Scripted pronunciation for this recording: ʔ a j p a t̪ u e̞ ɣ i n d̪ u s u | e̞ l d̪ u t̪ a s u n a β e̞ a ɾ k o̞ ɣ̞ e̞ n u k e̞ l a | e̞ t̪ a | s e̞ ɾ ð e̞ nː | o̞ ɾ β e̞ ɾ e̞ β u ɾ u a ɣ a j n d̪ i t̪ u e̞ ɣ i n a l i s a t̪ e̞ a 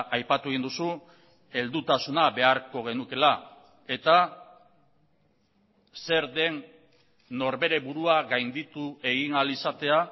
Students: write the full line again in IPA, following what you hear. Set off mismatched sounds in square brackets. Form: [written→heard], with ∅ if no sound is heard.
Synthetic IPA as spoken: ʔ a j p a t̪ u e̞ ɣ i n d̪ u s u | e̞ l d̪ u t̪ a s u n a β e̞ a ɾ k o̞ ɣ̞ e̞ n u k e̞ l a | e̞ t̪ a | s e̞ ɾ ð e̞ nː | o̞ ɾ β e̞ ɾ e̞ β u ɾ u a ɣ a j n d̪ i t̪ u e̞ ɣ i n a l i s a t̪ e̞ a